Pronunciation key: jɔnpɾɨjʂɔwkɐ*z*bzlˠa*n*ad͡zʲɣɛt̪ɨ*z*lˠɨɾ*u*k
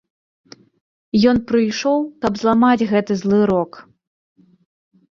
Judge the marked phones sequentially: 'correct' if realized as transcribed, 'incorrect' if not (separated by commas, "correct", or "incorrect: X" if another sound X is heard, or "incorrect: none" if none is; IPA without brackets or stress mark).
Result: incorrect: none, incorrect: m, correct, incorrect: ɔ